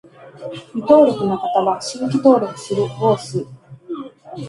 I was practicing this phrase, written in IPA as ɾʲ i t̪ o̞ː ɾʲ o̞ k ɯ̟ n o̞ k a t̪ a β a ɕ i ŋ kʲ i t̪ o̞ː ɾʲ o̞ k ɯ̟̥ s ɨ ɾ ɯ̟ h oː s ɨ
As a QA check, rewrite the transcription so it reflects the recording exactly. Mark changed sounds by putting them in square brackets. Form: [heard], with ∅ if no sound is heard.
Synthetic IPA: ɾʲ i t̪ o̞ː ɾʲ o̞ k ɯ̟ n o̞ k a t̪ a β a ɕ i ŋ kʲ i t̪ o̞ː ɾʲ o̞ k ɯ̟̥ s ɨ ɾ ɯ̟ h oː s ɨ